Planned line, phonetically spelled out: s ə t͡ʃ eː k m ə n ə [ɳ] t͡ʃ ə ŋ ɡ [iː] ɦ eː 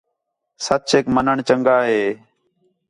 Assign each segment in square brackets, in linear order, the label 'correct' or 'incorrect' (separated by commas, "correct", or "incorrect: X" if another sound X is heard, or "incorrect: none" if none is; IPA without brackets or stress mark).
correct, incorrect: aː